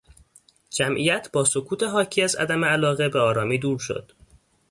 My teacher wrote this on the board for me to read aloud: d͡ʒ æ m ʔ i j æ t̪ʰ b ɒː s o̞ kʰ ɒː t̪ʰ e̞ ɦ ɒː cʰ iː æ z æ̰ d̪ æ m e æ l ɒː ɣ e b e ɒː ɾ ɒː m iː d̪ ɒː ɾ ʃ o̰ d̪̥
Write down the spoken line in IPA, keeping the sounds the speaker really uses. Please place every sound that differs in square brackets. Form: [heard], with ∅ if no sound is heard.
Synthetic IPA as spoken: d͡ʒ æ m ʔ i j æ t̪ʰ b ɒː s o̞ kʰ [uː] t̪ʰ e̞ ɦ ɒː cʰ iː æ z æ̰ d̪ æ m e æ l ɒː ɣ e b e ɒː ɾ ɒː m iː d̪ [uː] ɾ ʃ o̰ d̪̥